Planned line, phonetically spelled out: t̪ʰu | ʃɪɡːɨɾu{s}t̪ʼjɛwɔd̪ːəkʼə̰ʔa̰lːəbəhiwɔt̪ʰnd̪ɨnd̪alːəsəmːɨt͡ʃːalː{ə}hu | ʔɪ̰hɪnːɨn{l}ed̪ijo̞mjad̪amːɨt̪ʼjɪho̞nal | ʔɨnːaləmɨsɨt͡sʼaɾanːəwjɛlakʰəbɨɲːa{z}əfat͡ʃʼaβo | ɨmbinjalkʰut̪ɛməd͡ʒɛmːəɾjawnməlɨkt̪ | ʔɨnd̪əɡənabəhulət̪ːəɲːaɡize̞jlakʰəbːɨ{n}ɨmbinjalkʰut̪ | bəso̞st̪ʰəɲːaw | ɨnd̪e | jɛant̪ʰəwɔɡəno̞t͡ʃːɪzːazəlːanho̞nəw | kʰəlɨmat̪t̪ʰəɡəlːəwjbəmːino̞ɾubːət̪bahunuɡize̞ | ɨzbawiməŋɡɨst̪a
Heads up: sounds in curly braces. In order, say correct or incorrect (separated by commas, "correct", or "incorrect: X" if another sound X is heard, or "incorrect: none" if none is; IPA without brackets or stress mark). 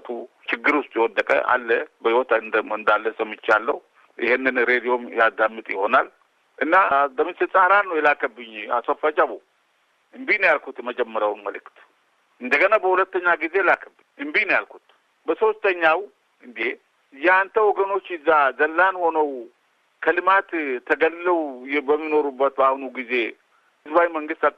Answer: correct, correct, incorrect: ɾ, incorrect: s, incorrect: ɲ